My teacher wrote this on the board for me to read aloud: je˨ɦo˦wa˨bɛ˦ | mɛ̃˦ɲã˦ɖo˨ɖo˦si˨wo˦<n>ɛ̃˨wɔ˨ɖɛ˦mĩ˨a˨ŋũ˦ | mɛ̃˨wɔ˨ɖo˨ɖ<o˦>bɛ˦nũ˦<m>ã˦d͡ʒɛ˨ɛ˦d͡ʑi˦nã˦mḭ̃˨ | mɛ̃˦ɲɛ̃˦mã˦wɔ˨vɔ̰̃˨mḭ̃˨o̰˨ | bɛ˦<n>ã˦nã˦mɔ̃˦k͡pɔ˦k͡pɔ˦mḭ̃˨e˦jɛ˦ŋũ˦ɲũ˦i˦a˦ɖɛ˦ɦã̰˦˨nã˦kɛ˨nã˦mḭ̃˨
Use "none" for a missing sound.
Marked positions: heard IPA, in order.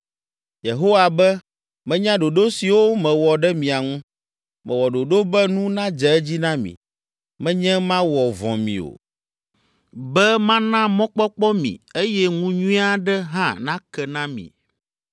m, o˦, n, m

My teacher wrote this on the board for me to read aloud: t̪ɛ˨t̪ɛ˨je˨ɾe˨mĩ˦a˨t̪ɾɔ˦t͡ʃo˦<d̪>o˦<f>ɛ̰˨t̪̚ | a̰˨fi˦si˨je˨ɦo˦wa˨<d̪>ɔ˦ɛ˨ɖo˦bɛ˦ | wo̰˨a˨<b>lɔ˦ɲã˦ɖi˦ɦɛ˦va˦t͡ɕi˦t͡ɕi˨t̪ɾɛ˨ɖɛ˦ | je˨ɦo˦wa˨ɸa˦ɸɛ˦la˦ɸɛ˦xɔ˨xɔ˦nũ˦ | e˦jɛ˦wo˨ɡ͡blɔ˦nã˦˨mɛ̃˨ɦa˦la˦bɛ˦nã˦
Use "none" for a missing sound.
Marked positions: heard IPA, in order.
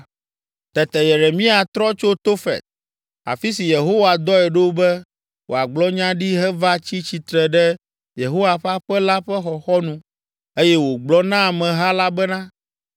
t̪, f, d̪, ɡ͡b

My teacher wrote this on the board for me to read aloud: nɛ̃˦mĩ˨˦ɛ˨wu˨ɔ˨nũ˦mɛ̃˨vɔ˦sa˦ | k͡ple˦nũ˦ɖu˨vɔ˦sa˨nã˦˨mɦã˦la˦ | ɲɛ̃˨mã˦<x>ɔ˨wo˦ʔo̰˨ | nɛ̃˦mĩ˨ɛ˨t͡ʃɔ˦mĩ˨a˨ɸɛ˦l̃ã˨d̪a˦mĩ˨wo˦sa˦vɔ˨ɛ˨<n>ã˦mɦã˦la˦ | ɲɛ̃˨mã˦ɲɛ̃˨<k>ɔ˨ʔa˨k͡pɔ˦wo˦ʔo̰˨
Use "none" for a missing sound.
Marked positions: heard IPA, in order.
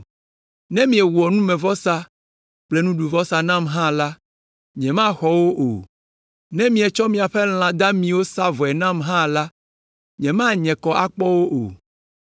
x, n, k

